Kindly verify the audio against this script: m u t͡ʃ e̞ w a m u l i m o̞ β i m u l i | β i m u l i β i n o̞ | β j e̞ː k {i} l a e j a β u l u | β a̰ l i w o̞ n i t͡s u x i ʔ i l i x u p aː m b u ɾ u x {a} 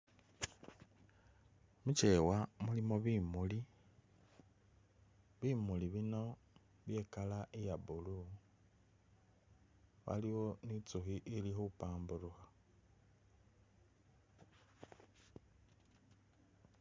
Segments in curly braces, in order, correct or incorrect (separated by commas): incorrect, correct